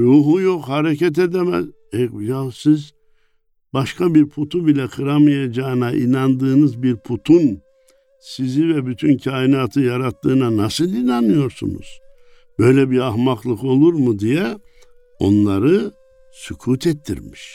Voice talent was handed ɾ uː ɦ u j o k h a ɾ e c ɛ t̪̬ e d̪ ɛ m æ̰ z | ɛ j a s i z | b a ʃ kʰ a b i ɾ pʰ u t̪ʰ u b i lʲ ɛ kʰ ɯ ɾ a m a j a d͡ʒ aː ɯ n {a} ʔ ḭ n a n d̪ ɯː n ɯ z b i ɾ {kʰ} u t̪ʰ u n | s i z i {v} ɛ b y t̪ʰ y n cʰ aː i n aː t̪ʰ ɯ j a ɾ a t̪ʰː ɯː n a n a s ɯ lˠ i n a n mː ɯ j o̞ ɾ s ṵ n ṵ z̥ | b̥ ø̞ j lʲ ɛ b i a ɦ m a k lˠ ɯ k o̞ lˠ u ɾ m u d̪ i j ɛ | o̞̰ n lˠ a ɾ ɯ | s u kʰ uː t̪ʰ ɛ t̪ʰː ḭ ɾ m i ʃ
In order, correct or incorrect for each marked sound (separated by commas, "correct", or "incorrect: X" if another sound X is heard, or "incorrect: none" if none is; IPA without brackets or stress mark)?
correct, incorrect: pʰ, correct